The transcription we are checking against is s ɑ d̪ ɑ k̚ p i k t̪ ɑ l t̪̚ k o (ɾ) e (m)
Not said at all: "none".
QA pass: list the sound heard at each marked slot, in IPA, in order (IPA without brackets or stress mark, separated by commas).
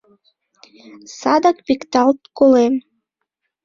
l, m